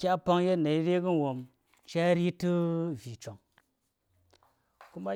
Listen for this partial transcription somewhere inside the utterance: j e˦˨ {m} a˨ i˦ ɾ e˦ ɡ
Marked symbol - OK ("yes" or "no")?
no